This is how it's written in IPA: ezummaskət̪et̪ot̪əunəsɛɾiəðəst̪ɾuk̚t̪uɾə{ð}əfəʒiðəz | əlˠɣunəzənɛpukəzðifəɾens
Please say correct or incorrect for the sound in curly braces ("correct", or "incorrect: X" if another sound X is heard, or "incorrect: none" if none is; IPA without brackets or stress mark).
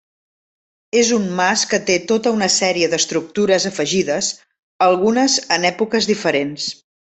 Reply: incorrect: z